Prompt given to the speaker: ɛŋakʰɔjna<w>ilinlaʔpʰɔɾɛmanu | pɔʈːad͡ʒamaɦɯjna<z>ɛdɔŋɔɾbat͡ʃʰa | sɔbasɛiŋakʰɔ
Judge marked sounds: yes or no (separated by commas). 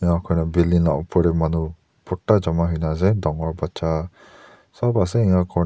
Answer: no, yes